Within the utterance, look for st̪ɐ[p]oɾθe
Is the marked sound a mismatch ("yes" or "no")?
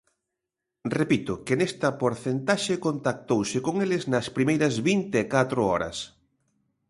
no